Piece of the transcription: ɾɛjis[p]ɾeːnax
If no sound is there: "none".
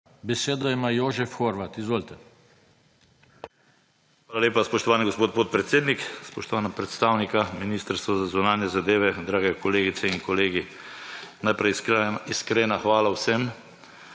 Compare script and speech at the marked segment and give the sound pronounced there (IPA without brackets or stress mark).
k